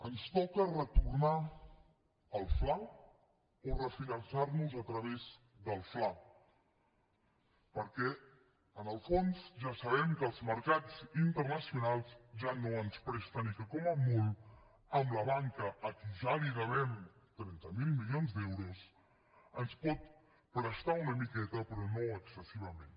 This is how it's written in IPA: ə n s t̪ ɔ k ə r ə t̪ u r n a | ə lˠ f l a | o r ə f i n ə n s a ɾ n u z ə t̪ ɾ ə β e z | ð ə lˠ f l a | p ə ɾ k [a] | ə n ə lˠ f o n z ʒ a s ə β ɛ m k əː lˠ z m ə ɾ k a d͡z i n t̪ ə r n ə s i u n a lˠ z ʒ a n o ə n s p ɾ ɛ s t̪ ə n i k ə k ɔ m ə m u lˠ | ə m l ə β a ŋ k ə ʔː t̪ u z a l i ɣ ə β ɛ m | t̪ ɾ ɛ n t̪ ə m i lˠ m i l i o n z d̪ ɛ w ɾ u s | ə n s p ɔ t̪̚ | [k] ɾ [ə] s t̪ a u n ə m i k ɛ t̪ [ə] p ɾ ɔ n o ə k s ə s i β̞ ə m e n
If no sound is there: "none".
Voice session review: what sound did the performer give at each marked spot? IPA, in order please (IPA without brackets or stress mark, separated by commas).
ɛ, p, ə, ə